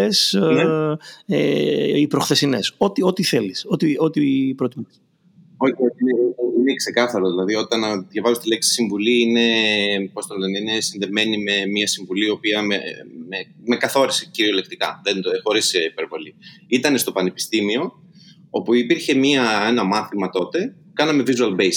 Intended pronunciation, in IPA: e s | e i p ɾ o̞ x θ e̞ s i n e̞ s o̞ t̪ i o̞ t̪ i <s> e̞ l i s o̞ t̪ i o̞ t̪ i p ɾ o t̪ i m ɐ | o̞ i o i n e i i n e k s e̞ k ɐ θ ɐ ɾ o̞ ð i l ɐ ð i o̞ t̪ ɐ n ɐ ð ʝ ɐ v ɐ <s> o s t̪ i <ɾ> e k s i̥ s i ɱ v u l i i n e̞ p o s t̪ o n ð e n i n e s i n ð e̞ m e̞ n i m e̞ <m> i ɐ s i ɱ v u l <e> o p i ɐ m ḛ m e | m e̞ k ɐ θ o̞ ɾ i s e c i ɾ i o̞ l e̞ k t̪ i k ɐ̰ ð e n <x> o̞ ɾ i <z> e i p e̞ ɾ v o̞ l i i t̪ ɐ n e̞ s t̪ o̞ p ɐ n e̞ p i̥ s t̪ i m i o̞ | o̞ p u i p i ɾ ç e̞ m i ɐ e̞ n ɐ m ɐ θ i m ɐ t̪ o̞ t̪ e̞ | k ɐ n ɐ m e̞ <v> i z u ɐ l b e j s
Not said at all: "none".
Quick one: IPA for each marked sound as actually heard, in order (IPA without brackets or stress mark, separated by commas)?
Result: θ, z, l, m, i, x, s, v